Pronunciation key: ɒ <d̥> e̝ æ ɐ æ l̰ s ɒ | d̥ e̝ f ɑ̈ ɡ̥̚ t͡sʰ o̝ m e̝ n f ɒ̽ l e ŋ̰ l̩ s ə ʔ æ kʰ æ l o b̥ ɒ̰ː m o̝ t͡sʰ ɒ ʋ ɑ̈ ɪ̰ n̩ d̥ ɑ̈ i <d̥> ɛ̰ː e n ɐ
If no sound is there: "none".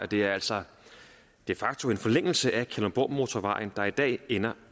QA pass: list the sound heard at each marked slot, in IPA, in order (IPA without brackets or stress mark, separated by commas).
d̥, d̥